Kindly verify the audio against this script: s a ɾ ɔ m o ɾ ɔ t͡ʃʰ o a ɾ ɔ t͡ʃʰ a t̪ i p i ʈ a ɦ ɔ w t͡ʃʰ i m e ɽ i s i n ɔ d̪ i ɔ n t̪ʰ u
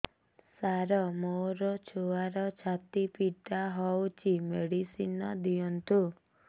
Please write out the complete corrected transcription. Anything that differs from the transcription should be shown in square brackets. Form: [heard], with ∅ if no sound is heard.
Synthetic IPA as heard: s a ɾ ɔ m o ɾ ɔ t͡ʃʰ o a ɾ ɔ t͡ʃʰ a t̪ i p i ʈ a ɦ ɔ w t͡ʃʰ i m e ɽ i s i n ɔ d̪ i ɔ n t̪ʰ u